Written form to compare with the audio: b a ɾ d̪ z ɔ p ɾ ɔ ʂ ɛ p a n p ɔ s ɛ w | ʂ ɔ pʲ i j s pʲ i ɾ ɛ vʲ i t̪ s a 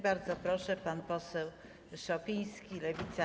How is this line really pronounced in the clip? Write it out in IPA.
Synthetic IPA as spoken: b a ɾ d̪ z ɔ p ɾ ɔ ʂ ɛ p a n p ɔ s ɛ w | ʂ ɔ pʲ i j s kʲ i l ɛ vʲ i t̪ s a